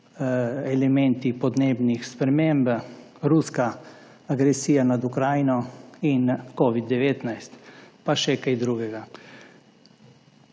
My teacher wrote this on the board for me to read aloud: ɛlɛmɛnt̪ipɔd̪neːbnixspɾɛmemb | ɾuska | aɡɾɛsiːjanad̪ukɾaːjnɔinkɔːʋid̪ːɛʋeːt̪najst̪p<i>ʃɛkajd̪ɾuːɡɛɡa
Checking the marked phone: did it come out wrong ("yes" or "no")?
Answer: yes